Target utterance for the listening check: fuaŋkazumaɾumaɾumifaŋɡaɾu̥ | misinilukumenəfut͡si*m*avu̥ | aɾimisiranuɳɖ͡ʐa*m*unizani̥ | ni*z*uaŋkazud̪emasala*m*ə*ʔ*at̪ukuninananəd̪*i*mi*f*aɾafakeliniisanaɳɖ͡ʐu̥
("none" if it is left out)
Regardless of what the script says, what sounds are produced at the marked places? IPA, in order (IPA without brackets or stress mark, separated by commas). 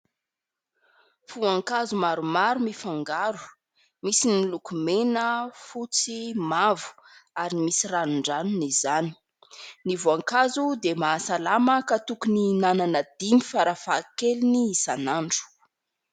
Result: m, n, v, m, k, i, f